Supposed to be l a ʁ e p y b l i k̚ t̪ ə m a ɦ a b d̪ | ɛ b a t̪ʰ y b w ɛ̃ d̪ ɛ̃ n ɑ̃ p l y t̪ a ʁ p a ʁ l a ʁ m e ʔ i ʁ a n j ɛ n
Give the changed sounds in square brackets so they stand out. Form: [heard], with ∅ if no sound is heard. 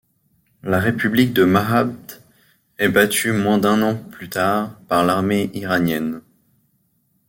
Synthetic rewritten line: l a ʁ e p y b l i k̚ [d̪] ə m a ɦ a b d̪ | ɛ b a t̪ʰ y [m] w ɛ̃ d̪ ɛ̃ n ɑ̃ p l y t̪ a ʁ p a ʁ l a ʁ m e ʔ i ʁ a n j ɛ n